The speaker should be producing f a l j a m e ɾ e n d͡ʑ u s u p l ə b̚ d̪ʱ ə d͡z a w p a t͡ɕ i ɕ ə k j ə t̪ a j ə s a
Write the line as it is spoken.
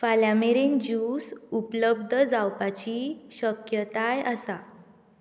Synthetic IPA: f a l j a m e ɾ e n d͡ʑ u s u p l ə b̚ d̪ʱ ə d͡z a w p a t͡ɕ i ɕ ə k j ə t̪ a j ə s a